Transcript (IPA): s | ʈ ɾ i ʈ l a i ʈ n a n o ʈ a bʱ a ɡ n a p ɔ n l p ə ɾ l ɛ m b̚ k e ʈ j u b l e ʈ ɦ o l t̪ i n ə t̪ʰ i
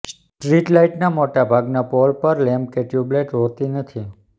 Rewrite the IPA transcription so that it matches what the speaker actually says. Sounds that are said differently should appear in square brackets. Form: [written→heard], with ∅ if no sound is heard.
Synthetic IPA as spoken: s | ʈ ɾ i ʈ l a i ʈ n a [n→m] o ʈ a bʱ a ɡ n a p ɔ [n→∅] l p ə ɾ l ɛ m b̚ k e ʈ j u b l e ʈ ɦ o [l→∅] t̪ i n ə t̪ʰ i